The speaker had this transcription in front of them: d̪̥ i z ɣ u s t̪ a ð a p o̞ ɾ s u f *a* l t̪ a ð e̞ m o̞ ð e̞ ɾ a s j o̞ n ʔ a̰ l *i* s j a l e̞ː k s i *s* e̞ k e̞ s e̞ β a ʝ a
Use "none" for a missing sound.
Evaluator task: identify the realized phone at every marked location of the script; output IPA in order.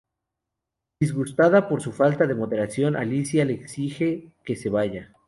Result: a, i, x

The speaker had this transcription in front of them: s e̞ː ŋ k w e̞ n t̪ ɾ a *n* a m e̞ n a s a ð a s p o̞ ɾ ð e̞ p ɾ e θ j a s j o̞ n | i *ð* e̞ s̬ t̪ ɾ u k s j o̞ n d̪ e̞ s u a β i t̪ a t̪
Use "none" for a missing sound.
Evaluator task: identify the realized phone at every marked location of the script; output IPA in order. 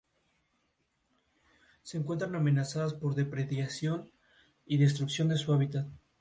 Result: n, ð

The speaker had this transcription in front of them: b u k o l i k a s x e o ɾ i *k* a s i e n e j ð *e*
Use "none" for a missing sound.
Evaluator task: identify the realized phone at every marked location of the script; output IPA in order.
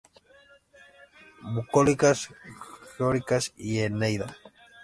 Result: k, a

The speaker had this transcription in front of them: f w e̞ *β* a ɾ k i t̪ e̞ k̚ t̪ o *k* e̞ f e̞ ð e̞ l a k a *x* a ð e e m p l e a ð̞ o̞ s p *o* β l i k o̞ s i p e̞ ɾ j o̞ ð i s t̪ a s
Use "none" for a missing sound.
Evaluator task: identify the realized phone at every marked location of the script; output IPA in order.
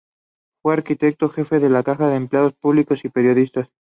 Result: none, x, x, u

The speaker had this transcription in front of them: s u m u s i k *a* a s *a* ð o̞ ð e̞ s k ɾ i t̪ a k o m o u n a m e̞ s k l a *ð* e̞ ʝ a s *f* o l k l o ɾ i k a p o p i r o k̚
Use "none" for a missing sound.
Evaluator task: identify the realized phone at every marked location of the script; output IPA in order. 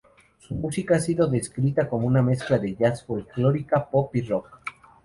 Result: a, i, ð, f

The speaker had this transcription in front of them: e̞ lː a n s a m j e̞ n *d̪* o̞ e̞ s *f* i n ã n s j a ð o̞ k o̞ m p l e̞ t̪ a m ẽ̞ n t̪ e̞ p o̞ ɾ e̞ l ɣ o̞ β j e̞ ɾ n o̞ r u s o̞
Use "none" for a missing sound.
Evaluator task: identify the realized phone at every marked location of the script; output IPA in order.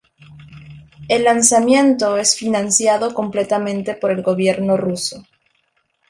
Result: t̪, f

